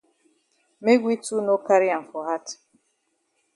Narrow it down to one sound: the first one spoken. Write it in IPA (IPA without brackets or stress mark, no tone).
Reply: m